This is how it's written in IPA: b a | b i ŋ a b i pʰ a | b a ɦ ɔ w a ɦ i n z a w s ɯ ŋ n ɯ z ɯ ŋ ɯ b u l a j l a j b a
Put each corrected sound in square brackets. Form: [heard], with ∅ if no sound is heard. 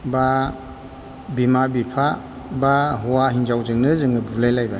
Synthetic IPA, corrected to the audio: b a | b i [m] a b i pʰ a | b a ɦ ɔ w a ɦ i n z a w [z] ɯ ŋ n ɯ z ɯ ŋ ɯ b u l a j l a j b a